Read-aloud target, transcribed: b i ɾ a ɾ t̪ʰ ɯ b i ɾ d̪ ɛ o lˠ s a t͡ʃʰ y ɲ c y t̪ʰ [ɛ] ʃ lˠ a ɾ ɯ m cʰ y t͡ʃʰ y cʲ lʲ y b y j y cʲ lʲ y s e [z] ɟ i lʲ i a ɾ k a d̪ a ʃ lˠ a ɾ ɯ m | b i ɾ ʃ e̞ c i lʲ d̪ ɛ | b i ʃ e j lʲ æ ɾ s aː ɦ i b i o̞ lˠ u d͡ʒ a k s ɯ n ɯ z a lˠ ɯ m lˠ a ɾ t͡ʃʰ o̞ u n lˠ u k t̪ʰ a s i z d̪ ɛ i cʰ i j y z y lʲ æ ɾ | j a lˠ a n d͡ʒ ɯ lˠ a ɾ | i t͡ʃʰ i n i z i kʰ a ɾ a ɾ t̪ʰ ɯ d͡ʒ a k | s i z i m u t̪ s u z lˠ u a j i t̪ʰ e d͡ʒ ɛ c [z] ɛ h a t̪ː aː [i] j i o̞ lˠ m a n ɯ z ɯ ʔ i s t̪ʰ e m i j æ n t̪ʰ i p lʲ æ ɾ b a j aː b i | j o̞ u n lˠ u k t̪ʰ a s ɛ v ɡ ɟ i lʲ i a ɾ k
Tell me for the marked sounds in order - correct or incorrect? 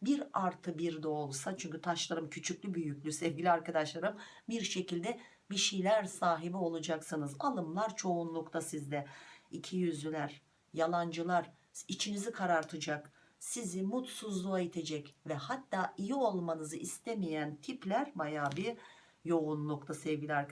incorrect, incorrect, incorrect, correct

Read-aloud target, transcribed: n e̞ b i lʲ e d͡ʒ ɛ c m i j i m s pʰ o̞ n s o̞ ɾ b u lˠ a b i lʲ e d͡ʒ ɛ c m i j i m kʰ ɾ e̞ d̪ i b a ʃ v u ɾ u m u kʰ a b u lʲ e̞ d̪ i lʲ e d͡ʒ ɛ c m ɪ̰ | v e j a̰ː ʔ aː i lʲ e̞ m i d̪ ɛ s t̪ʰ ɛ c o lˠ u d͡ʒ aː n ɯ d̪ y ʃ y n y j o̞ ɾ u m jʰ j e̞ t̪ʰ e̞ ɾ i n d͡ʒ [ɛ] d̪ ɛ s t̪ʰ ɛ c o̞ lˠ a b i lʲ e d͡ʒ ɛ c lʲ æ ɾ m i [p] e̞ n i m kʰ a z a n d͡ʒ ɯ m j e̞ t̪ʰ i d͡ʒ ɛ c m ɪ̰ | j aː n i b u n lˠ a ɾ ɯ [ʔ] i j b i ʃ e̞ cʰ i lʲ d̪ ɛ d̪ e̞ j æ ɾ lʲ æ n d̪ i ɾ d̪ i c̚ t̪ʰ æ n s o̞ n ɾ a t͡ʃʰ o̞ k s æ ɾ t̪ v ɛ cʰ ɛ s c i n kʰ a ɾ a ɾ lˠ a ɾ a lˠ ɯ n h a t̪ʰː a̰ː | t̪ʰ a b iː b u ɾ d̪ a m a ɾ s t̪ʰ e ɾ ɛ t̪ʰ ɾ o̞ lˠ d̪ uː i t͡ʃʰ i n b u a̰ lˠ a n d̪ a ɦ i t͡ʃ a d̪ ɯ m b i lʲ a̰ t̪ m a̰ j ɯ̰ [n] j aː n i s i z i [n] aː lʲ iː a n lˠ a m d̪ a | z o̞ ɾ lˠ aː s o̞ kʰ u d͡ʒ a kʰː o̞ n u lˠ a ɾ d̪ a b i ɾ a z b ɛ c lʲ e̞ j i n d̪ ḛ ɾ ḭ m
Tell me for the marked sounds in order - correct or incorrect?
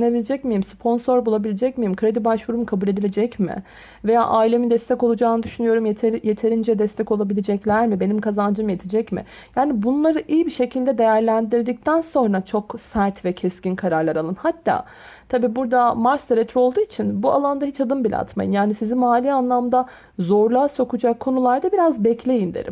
correct, incorrect, correct, correct, incorrect

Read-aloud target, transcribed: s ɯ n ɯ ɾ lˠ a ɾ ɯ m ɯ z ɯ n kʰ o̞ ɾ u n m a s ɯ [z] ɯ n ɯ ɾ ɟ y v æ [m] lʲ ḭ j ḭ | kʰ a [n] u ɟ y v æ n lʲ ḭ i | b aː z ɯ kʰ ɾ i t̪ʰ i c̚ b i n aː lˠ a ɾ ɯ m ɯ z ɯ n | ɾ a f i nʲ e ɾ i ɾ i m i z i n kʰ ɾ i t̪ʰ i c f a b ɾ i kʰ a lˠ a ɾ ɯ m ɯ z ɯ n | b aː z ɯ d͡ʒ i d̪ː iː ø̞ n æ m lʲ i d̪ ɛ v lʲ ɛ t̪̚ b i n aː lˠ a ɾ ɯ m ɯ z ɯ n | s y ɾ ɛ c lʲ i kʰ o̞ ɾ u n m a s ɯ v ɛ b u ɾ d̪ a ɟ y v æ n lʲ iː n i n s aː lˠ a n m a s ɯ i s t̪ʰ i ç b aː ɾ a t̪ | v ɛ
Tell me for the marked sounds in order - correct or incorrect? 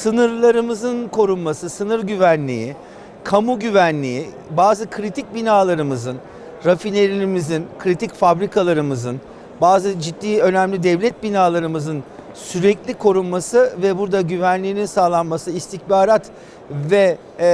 incorrect, incorrect, incorrect

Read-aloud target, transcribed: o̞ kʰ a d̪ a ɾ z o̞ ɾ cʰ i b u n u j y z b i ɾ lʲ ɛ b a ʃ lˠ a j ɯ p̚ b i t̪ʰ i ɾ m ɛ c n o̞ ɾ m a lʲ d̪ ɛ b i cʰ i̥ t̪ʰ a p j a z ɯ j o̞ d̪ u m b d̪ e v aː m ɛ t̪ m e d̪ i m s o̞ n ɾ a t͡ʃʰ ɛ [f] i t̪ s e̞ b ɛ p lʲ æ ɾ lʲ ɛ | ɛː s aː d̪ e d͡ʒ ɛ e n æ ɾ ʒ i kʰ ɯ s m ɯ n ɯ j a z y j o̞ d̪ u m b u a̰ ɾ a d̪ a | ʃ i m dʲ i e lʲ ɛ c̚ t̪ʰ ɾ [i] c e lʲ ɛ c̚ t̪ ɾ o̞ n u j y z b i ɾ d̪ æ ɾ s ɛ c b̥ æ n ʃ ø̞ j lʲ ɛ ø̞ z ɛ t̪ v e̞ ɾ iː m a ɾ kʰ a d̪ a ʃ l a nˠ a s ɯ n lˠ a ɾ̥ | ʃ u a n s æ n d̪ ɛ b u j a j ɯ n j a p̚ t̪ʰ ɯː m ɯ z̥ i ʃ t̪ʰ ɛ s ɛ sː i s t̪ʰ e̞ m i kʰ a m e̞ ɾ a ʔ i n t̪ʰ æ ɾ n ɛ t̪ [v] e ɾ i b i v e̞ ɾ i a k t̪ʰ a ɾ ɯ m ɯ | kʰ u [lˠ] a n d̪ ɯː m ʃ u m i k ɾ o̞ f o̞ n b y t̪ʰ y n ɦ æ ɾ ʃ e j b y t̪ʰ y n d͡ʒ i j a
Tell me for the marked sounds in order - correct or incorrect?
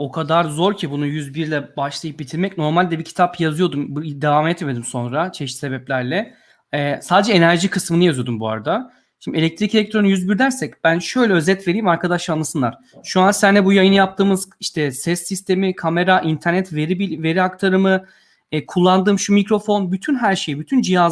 incorrect, correct, correct, incorrect

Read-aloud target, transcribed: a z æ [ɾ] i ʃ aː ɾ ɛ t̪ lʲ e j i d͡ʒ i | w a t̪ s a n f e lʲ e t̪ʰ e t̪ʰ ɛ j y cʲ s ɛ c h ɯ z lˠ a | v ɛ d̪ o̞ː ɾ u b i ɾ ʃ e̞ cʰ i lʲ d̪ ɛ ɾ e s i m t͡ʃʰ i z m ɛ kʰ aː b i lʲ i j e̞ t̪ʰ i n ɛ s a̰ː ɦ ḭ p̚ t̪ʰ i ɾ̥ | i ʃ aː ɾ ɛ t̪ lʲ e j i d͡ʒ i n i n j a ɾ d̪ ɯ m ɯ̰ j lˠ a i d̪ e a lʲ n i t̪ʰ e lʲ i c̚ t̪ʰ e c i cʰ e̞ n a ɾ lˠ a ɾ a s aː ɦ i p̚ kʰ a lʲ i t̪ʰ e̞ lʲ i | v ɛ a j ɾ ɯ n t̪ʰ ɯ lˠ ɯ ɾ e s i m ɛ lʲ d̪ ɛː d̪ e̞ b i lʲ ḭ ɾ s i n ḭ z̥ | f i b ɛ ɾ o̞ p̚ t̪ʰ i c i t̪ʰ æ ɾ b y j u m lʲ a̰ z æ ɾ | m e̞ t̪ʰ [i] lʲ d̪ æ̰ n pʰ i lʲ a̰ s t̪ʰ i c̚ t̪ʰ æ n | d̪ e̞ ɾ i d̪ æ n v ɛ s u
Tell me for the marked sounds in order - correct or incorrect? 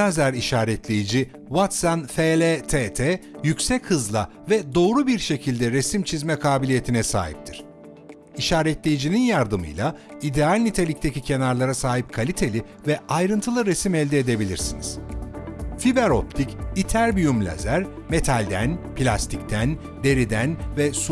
correct, incorrect

